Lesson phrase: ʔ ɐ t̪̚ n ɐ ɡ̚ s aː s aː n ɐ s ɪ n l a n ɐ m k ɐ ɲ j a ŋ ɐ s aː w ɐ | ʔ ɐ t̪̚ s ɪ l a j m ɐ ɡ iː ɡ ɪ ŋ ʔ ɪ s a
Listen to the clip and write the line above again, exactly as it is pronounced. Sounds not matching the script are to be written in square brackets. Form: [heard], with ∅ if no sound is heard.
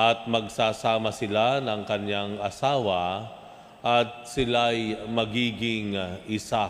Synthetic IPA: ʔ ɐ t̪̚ [m] ɐ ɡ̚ s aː s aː [m] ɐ s ɪ [∅] l a n ɐ [ŋ] k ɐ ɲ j a ŋ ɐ s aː w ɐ | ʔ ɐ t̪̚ s ɪ l a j m ɐ ɡ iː ɡ ɪ ŋ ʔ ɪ s a